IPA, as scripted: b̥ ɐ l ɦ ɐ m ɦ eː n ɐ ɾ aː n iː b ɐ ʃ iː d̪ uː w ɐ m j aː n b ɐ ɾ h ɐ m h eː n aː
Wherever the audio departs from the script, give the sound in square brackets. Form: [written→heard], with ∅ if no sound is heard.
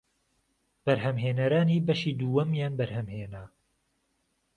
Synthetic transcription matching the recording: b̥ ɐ [l→ɾ] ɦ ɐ m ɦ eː n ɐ ɾ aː n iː b ɐ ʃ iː d̪ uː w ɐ m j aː n b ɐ ɾ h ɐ m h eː n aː